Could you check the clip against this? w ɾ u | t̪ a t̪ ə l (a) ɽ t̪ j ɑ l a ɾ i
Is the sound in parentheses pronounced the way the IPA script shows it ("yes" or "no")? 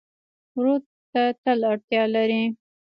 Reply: yes